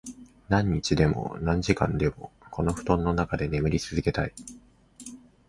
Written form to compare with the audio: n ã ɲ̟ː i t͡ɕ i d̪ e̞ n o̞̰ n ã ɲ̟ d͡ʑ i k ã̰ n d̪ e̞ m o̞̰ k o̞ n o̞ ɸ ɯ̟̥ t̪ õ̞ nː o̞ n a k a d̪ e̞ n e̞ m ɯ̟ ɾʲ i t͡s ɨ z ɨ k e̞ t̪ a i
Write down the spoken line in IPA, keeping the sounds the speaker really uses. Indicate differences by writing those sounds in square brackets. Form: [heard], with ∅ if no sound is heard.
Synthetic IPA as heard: n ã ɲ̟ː i t͡ɕ i d̪ e̞ [m] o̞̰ n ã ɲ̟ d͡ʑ i k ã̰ n d̪ e̞ m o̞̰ k o̞ n o̞ ɸ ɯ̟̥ t̪ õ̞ nː o̞ n a k a d̪ e̞ n e̞ m ɯ̟ ɾʲ i t͡s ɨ z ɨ k e̞ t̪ a i